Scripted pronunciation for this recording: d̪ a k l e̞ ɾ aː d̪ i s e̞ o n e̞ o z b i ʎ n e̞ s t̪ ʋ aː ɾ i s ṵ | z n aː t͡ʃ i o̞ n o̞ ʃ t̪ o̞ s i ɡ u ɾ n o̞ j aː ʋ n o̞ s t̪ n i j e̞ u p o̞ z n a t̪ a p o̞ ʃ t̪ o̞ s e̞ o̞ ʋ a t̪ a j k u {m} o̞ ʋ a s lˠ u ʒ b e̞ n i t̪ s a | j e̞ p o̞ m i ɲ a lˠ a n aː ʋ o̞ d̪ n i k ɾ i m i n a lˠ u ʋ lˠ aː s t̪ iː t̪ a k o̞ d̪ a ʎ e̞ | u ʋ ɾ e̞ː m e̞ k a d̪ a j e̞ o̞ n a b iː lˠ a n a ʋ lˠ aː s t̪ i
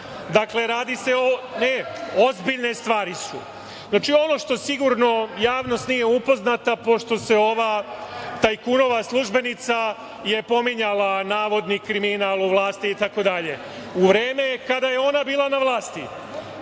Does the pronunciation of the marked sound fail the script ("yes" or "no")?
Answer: yes